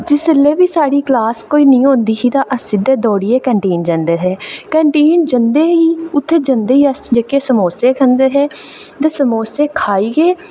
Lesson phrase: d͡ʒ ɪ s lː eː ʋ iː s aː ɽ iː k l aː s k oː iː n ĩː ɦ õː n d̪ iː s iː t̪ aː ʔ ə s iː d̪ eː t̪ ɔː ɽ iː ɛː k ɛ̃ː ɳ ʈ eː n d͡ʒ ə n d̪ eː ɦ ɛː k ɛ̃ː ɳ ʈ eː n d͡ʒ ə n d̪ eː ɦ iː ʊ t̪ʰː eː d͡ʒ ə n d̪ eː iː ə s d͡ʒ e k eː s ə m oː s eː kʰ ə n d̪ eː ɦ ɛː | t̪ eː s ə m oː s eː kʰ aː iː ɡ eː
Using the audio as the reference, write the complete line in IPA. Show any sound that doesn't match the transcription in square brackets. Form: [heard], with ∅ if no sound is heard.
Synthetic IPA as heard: d͡ʒ ɪ s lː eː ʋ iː s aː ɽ iː k l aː s k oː iː n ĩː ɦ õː n d̪ iː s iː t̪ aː ʔ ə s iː d̪ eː [d̪] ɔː ɽ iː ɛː k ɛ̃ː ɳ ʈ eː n d͡ʒ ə n d̪ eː ɦ ɛː k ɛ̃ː ɳ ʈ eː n d͡ʒ ə n d̪ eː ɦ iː ʊ t̪ʰː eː d͡ʒ ə n d̪ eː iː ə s d͡ʒ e k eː s ə m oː s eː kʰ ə n d̪ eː ɦ ɛː | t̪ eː s ə m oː s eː kʰ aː iː ɡ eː

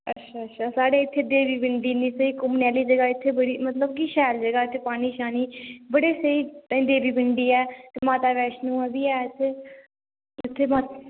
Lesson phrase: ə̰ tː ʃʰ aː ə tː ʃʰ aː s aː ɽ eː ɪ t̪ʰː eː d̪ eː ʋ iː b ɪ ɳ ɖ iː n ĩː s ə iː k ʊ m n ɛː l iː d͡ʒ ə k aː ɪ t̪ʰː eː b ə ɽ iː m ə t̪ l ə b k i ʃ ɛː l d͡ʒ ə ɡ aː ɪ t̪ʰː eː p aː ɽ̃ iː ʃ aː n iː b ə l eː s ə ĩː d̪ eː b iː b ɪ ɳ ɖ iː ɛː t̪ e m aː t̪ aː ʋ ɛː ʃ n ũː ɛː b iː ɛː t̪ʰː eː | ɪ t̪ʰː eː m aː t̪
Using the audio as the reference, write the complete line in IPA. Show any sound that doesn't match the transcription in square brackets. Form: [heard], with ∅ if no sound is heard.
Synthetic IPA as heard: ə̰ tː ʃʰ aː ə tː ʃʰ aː s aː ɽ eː ɪ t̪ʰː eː d̪ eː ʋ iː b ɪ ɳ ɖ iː n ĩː s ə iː k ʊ m n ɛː l iː d͡ʒ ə [ɡ] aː ɪ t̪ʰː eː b ə ɽ iː m ə t̪ l ə b k i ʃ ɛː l d͡ʒ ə ɡ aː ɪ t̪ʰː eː p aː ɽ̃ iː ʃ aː n iː b ə [ɽ] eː s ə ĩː d̪ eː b iː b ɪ ɳ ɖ iː ɛː t̪ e m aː t̪ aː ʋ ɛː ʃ n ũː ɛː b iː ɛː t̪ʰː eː | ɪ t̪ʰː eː m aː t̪

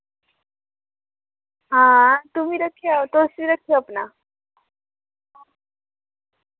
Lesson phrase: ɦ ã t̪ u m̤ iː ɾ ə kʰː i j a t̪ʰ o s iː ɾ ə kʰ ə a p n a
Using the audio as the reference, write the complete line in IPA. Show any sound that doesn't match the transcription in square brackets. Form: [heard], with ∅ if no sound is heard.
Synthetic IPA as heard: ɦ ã t̪ u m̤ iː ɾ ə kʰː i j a [t̪] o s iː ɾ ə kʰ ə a p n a

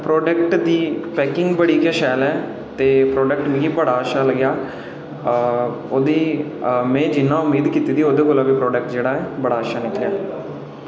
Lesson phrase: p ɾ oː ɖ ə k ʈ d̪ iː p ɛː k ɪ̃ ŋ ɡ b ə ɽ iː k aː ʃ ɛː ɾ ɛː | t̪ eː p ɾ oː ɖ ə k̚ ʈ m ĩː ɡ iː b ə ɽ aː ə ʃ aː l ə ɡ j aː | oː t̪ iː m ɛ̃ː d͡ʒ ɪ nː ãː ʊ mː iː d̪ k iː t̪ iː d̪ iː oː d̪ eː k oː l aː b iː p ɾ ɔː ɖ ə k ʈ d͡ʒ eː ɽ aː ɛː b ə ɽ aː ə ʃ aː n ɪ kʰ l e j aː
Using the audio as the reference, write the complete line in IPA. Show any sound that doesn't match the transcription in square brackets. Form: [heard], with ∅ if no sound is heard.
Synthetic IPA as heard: p ɾ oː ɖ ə k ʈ d̪ iː p ɛː k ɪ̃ ŋ ɡ b ə ɽ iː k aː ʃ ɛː [l] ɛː | t̪ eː p ɾ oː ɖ ə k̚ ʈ m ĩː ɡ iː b ə ɽ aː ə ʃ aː l ə ɡ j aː | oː [d̪] iː m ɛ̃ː d͡ʒ ɪ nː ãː ʊ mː iː d̪ k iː t̪ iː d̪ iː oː d̪ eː k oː l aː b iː p ɾ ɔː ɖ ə k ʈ d͡ʒ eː ɽ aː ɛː b ə ɽ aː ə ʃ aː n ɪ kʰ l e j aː

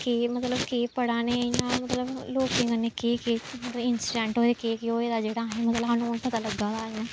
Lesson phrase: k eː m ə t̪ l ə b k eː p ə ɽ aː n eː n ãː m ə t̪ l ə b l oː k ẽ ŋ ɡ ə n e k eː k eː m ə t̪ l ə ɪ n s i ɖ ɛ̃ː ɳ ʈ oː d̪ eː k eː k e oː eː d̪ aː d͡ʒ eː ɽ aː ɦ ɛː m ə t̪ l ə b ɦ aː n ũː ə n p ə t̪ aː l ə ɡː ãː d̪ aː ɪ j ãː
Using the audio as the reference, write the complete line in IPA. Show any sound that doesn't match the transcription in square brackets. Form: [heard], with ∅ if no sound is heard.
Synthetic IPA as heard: k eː m ə t̪ l ə b k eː p ə ɽ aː n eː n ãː m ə t̪ l ə b l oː k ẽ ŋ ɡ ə n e k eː k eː m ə t̪ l ə ɪ n s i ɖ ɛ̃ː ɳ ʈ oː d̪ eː k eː k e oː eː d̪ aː d͡ʒ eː ɽ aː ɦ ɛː m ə t̪ l ə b ɦ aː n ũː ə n p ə t̪ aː l ə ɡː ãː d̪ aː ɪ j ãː

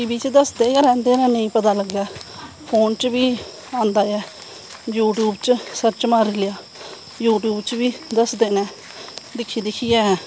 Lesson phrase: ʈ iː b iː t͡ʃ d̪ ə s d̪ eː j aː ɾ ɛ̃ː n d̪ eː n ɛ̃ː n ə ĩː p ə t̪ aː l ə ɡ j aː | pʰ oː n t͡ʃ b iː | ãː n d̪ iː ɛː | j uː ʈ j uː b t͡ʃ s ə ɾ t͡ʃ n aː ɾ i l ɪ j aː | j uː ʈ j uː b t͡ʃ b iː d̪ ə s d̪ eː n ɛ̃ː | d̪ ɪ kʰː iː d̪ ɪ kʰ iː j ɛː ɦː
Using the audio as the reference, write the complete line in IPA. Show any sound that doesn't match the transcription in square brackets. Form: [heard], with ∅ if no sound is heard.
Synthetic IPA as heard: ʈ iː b iː t͡ʃ d̪ ə s d̪ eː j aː ɾ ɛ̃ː n d̪ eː n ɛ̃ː n ə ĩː p ə t̪ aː l ə ɡ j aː | pʰ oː n t͡ʃ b iː | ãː n d̪ [aː] ɛː | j uː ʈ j uː b t͡ʃ s ə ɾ t͡ʃ [m] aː ɾ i l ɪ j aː | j uː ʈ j uː b t͡ʃ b iː d̪ ə s d̪ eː n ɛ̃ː | d̪ ɪ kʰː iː d̪ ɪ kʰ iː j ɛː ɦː

